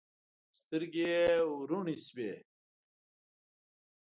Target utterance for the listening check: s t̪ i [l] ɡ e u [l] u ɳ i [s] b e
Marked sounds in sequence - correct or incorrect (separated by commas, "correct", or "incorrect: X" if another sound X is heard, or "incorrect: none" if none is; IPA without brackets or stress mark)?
incorrect: ɾ, incorrect: ɾ, correct